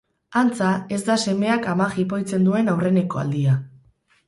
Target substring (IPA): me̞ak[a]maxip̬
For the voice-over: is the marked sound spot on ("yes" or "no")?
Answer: yes